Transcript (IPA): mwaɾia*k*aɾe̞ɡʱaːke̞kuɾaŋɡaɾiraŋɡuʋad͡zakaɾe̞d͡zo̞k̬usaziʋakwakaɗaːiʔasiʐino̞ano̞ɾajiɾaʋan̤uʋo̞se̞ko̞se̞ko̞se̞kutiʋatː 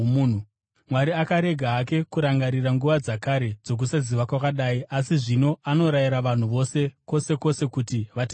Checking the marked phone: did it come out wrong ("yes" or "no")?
no